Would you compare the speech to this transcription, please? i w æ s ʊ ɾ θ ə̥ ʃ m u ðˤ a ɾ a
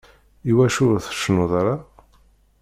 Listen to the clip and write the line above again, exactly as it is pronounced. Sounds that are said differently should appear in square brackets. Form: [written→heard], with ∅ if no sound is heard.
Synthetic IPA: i w æ [s→ʃ] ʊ ɾ θ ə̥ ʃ [m→n] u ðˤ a ɾ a